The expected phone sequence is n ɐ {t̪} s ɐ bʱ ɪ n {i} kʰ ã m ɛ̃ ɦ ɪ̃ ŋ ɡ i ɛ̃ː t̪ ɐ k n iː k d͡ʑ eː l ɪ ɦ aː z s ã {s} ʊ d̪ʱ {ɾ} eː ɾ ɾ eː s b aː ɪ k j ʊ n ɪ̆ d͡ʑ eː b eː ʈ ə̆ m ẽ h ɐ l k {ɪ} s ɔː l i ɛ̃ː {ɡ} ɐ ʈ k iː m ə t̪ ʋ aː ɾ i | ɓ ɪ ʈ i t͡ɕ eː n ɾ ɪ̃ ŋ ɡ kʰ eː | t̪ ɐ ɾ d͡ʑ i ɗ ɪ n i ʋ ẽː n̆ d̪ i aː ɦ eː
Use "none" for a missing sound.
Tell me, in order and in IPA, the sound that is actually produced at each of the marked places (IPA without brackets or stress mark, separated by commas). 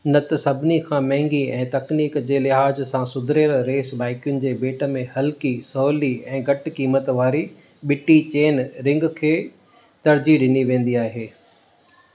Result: t̪, i, s, ɾ, i, ɡ